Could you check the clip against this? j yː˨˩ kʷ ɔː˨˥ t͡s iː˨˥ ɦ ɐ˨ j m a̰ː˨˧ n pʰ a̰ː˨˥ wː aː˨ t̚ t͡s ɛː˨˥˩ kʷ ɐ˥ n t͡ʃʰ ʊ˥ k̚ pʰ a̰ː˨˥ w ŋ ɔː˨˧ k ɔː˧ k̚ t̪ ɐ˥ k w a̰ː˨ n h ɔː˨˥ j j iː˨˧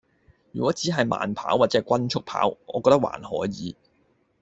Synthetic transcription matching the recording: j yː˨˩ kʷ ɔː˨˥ t͡s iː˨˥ ɦ ɐ˨ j m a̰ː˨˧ n pʰ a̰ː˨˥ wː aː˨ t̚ t͡s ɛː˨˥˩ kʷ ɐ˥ n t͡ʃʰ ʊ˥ k̚ pʰ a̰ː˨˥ w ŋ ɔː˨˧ k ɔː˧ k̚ t̪ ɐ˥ k w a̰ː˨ n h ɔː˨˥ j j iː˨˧

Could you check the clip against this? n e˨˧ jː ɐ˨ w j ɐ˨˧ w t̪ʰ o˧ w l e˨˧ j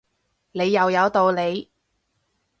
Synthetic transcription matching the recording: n e˨˧ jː ɐ˨ w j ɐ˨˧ w t̪ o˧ w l e˨˧ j

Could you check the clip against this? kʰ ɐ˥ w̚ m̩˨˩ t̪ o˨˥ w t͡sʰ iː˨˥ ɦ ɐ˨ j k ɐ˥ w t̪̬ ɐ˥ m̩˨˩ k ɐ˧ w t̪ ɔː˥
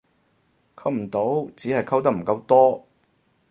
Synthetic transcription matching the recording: kʰ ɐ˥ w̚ m̩˨˩ t̪ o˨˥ w t͡s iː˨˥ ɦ ɐ˨ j kʰ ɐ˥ w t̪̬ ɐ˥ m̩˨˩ k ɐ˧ w t̪ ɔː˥

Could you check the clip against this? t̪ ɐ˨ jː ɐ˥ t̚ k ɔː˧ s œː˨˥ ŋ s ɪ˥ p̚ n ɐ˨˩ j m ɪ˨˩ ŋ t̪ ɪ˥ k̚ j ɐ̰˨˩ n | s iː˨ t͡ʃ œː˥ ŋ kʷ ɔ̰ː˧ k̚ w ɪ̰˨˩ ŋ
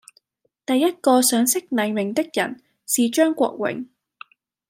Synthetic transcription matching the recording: t̪ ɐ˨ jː ɐ˥ t̚ k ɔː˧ s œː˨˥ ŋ s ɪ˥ k̚ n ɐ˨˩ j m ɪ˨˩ ŋ t̪ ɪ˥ k̚ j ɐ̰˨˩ n | s iː˨ t͡ʃ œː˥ ŋ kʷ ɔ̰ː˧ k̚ w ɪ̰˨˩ ŋ

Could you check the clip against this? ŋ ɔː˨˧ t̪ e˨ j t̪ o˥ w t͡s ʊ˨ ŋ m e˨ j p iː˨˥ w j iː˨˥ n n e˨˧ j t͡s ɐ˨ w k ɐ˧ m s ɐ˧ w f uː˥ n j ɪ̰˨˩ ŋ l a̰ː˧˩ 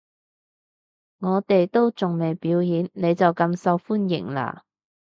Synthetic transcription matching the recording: ŋ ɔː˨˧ t̪ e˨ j t̪ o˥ w t͡s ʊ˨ ŋ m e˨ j p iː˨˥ w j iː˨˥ n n e˨˧ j t͡s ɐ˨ w k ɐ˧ m s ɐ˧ w f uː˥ n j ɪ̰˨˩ ŋ l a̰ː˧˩

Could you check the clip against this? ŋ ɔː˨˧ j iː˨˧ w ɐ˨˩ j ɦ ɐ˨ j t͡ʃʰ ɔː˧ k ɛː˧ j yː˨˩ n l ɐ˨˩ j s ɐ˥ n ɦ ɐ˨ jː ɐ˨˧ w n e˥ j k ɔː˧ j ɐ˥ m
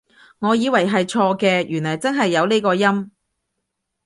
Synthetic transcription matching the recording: ŋ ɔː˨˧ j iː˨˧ w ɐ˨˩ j ɦ ɐ˨ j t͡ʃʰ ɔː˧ k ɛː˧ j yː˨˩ n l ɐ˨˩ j t͡s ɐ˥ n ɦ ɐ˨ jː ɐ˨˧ w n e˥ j k ɔː˧ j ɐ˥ m

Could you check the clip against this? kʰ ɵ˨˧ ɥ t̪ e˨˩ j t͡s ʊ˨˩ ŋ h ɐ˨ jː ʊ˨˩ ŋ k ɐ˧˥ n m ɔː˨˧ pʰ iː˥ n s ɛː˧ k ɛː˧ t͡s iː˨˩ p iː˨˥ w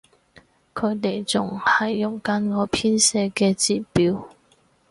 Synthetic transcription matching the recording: kʰ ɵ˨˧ ɥ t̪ e˨˩ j t͡s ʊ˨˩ ŋ h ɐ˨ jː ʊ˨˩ ŋ k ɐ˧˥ n ŋ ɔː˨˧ pʰ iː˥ n s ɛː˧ k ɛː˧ t͡s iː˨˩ p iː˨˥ w

